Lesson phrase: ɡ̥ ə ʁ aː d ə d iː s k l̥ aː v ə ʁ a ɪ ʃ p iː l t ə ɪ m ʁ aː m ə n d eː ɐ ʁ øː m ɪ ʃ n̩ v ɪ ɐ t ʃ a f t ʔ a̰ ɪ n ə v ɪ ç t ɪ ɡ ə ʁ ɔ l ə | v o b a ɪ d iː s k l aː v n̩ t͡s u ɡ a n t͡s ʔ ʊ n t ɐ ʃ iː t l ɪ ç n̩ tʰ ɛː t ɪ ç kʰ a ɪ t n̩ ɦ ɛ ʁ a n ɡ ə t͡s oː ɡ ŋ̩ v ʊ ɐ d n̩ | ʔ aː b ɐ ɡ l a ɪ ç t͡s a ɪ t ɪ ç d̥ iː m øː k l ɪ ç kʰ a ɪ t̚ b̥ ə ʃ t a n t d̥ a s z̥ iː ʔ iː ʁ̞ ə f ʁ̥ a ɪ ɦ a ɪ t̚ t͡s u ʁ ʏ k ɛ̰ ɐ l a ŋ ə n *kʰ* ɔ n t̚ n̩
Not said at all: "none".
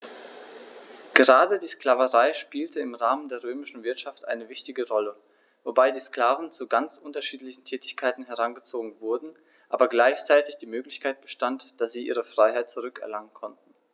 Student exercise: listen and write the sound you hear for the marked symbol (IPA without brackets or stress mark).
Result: kʰ